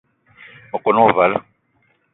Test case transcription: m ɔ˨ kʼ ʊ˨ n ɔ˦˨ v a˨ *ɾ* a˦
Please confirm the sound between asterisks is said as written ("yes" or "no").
no